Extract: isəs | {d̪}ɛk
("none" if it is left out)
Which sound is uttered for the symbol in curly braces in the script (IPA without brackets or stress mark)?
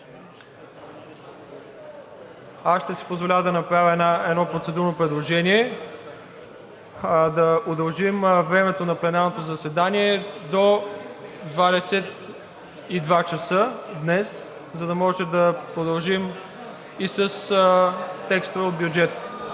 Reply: t̪